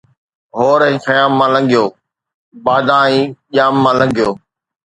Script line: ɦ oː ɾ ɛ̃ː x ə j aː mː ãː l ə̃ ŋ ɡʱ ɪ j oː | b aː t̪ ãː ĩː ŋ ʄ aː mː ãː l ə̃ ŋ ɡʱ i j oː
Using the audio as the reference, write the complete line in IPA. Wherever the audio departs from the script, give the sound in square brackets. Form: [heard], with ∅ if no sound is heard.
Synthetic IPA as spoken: ɦ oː ɾ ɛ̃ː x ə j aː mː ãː l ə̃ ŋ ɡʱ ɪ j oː | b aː [d̪] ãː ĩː [∅] ʄ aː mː ãː l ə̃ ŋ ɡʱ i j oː